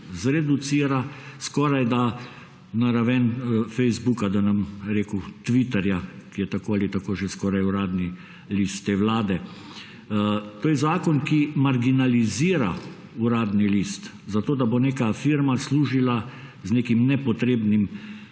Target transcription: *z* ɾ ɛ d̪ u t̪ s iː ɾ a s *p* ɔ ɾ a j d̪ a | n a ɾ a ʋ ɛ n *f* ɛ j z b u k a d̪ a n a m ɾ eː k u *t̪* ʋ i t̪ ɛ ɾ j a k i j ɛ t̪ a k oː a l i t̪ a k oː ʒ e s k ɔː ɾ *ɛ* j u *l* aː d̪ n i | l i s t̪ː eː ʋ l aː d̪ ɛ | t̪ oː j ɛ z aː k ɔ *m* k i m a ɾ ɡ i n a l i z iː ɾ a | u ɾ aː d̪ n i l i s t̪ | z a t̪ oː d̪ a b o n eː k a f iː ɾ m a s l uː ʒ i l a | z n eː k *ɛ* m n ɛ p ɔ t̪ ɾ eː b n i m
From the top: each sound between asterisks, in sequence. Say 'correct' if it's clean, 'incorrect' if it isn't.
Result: correct, incorrect: k, correct, correct, incorrect: a, incorrect: ɾ, incorrect: n, incorrect: i

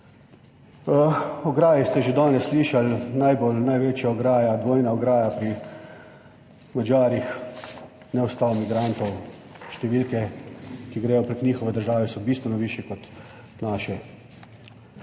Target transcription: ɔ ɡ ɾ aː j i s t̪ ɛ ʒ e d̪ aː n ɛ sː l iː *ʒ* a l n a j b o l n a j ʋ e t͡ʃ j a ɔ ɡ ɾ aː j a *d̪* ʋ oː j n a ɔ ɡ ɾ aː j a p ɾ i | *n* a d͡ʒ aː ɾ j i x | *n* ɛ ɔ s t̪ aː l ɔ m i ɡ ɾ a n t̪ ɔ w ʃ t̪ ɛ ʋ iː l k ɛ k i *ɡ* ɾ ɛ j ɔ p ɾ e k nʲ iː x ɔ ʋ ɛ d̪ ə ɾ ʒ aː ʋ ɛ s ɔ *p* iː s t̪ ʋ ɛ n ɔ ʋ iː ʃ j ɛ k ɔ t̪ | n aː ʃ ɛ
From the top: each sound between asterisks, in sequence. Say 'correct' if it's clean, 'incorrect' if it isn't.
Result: incorrect: ʃ, correct, incorrect: m, correct, correct, incorrect: b

